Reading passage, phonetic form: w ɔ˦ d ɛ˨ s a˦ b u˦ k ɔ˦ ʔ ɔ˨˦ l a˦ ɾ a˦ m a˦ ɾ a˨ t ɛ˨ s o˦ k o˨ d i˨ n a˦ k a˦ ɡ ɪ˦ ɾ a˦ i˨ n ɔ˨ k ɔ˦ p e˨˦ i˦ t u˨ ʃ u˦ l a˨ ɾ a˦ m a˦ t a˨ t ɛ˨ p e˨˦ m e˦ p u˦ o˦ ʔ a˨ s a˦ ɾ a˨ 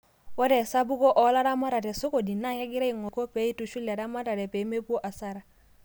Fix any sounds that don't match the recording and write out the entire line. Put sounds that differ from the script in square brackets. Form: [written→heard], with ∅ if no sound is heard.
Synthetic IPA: w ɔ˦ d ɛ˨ s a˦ b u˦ k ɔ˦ ʔ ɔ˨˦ l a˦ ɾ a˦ m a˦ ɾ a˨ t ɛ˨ s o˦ k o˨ d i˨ n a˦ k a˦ ɡ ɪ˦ ɾ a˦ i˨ [n→ŋ] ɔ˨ k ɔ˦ p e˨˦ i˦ t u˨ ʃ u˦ l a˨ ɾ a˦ m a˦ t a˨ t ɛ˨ p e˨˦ m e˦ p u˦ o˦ ʔ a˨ s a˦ ɾ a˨